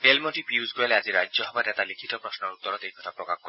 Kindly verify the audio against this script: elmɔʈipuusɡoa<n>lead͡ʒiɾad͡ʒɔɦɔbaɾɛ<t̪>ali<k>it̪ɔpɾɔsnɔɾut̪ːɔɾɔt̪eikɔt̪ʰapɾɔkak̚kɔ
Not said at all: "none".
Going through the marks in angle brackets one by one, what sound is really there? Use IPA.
none, t̪, kʰ

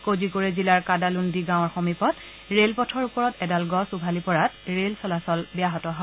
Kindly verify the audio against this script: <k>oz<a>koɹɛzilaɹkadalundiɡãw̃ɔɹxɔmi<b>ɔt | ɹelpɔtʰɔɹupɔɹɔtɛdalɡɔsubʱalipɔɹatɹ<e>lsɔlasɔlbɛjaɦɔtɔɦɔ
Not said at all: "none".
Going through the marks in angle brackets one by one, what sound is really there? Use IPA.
k, i, p, e

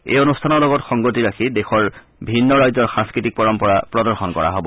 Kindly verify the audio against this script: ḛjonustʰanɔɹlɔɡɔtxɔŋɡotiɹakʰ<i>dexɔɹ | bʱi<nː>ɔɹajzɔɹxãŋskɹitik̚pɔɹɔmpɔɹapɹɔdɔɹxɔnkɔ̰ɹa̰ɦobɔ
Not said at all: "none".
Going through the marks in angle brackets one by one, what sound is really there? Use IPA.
i, nː

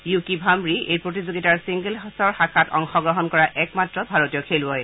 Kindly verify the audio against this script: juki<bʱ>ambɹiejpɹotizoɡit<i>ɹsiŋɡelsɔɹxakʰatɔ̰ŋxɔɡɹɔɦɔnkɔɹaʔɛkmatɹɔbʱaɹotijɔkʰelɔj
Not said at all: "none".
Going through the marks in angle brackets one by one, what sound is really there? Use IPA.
bʱ, a

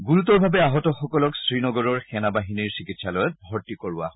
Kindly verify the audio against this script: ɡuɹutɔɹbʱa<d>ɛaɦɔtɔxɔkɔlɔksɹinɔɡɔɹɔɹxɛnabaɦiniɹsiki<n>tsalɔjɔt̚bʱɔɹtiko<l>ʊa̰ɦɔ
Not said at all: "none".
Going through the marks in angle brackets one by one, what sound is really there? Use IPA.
b, none, ɹ

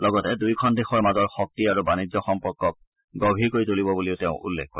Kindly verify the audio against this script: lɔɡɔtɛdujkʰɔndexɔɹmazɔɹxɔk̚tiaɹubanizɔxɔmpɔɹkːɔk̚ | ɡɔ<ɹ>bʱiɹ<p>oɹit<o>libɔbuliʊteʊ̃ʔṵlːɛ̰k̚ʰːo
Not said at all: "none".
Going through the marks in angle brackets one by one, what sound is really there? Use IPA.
none, k, o

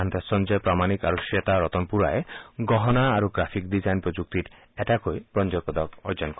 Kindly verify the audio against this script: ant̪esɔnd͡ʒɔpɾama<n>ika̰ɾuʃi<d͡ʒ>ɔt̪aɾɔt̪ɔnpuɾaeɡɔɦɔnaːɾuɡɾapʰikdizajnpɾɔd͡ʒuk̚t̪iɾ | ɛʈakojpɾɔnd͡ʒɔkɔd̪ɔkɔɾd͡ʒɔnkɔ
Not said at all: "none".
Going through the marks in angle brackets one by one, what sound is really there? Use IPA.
n, none

